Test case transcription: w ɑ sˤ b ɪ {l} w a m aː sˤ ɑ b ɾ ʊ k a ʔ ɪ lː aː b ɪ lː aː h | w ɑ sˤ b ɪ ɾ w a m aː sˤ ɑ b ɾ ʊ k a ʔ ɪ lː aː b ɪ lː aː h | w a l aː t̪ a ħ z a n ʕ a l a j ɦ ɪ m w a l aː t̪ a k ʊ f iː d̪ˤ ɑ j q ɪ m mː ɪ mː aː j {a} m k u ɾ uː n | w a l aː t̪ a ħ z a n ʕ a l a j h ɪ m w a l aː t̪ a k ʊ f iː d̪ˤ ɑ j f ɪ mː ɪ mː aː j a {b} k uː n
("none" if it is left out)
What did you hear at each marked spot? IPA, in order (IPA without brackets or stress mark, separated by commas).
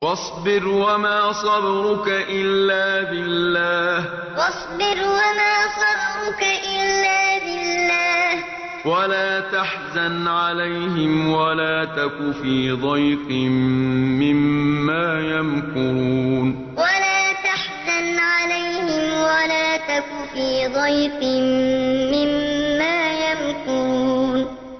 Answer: ɾ, a, m